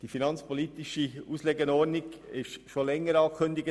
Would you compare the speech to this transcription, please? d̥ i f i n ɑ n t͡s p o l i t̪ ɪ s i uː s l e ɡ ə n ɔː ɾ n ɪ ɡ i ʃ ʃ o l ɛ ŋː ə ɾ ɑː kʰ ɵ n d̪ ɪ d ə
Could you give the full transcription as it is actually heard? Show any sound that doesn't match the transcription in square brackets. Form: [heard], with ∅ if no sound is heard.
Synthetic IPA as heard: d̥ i f i n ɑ n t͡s p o l i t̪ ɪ [ʃ] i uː s l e ɡ ə n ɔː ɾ n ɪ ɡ [ɪ] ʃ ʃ o l ɛ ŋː ə ɾ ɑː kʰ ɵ n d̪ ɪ [ɡ] ə